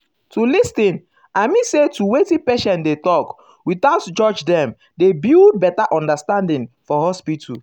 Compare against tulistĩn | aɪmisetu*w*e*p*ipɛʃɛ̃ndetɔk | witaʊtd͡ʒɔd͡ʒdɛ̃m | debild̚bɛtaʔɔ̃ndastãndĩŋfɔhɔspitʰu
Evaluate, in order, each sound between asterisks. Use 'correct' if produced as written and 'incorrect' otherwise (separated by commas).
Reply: correct, incorrect